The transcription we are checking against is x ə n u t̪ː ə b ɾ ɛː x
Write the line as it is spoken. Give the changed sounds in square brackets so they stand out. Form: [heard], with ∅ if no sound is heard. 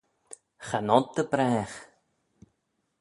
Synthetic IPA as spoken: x [a] n [ɔ] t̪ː ə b ɾ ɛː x